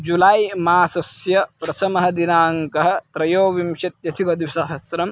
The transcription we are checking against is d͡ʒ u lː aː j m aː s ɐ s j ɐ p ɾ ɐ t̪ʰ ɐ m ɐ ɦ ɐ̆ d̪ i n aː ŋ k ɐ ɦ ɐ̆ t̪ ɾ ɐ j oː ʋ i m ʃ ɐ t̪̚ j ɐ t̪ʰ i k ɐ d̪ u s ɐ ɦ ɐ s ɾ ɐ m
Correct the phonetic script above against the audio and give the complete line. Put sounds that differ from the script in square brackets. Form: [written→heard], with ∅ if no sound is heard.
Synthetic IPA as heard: d͡ʒ u [lː→l] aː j m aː s ɐ s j ɐ p ɾ ɐ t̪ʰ ɐ m ɐ ɦ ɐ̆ d̪ i n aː ŋ k ɐ ɦ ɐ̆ t̪ ɾ ɐ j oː ʋ i m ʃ ɐ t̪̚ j ɐ t̪ʰ i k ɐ d̪ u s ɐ ɦ ɐ s ɾ ɐ m